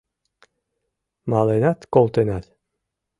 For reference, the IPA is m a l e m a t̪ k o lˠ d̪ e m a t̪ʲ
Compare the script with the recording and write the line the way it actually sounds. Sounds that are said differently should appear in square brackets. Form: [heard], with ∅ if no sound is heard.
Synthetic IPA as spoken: m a l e [n] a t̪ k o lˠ [t̪] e [n] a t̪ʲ